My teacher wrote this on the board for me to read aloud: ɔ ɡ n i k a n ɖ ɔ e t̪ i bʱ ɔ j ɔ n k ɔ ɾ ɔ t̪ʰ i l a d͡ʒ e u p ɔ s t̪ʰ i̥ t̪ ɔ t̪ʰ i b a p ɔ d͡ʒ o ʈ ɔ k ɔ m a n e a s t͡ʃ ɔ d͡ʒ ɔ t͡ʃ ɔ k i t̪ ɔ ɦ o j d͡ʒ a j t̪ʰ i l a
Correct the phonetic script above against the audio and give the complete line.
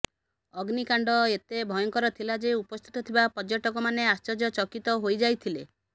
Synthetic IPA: ɔ ɡ n i k a ɳ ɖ ɔ e t̪ e bʱ ɔ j ɔ ŋ k ɔ ɾ ɔ t̪ʰ i l a d͡ʒ e u p ɔ s t̪ʰ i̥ t̪ ɔ t̪ʰ i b a p ɔ d͡ʒ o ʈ ɔ k ɔ m a n e a s t͡ʃ ɔ d͡ʒ ɔ t͡ʃ ɔ k i t̪ ɔ ɦ o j d͡ʒ a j t̪ʰ i l e